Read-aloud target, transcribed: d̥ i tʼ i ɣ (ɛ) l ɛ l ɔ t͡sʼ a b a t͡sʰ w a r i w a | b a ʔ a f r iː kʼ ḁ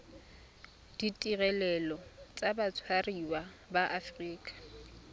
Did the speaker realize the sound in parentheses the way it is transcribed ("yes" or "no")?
yes